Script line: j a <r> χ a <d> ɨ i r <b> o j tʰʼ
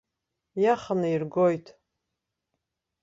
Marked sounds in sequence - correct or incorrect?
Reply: incorrect: none, incorrect: n, incorrect: ɡ

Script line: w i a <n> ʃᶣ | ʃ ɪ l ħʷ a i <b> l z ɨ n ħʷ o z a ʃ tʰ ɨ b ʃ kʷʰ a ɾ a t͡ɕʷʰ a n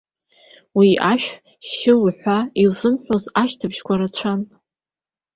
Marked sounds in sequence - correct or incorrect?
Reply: incorrect: none, incorrect: none

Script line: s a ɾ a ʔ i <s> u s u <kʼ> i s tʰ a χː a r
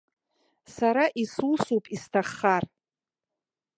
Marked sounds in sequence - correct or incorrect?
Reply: correct, incorrect: pʼ

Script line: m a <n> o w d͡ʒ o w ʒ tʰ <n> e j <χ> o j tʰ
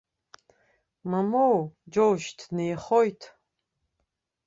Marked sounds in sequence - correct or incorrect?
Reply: incorrect: m, correct, correct

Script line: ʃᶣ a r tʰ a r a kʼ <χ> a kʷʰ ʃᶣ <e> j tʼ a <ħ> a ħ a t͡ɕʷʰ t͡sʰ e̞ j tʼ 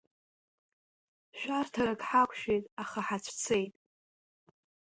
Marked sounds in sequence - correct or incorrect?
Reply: incorrect: ħ, correct, incorrect: χ

